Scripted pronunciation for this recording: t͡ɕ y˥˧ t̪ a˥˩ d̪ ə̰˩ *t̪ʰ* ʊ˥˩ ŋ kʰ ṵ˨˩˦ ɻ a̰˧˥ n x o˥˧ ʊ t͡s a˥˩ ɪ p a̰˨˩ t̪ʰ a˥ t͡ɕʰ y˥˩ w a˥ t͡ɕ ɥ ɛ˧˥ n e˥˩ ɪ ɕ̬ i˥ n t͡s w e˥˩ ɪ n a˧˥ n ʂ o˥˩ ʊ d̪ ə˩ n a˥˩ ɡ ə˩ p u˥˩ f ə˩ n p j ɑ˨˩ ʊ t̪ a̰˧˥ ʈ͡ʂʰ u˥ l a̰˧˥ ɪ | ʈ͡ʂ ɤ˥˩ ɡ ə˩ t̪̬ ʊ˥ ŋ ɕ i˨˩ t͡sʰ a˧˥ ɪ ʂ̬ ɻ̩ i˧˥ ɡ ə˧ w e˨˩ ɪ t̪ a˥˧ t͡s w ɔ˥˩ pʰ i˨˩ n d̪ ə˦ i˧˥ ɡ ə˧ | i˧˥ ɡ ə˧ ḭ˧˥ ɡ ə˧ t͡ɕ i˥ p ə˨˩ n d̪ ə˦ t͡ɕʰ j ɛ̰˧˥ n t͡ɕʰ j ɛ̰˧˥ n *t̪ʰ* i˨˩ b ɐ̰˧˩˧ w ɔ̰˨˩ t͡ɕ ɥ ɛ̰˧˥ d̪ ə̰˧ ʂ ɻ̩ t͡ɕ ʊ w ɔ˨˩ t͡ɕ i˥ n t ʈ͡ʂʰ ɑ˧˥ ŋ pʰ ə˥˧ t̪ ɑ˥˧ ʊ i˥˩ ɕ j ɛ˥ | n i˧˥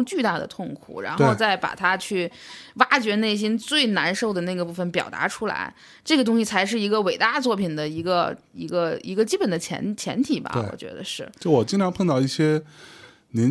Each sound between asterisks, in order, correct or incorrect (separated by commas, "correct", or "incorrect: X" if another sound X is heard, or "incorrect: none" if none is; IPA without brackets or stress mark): correct, correct